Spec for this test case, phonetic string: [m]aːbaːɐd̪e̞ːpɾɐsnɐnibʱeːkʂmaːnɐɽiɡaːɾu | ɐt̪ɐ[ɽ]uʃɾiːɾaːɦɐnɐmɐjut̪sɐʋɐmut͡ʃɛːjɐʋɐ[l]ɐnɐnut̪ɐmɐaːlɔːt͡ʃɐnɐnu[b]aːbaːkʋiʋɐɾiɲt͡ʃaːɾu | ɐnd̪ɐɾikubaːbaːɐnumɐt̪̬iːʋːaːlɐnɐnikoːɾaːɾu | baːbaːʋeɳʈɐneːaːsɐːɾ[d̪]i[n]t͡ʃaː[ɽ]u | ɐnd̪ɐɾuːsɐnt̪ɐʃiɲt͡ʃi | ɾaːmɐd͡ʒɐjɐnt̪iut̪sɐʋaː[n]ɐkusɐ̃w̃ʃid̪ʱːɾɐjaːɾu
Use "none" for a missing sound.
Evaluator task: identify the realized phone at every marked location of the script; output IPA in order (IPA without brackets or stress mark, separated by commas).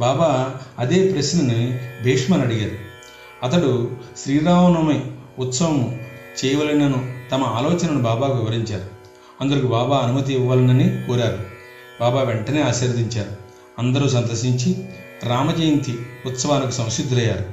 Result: b, ɽ, l, b, d̪, ɲ, ɾ, n